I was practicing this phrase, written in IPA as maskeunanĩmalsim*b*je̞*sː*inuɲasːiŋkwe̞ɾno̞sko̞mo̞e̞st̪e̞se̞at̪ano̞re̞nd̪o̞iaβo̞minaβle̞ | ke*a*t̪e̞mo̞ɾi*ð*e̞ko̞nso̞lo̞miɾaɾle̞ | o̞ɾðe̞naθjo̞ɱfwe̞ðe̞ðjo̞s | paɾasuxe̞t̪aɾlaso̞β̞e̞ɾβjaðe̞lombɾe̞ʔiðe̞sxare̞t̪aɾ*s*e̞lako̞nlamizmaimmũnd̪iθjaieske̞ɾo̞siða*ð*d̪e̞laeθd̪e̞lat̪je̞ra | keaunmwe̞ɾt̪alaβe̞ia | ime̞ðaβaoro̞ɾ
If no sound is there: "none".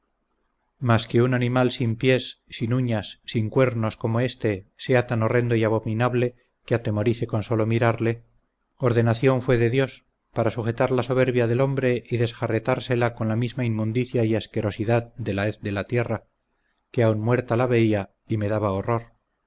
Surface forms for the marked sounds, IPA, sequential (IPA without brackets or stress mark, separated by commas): p, sː, a, θ, s, ð